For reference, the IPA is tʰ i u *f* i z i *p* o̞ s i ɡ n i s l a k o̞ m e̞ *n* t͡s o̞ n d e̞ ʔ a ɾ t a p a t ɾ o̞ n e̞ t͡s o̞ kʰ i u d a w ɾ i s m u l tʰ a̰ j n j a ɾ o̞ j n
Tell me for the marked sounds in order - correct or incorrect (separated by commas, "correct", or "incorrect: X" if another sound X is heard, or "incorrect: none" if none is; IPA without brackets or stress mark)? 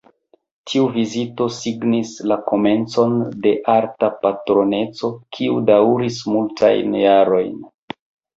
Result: incorrect: v, incorrect: t, correct